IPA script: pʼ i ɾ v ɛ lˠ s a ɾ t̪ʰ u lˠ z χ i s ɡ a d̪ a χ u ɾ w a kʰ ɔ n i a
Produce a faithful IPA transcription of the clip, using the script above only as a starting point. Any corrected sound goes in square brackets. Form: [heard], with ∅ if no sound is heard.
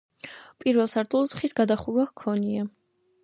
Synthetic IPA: pʼ i ɾ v ɛ lˠ s a ɾ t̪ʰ u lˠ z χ i s ɡ a d̪ a χ u ɾ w a kʰ ɔ n i a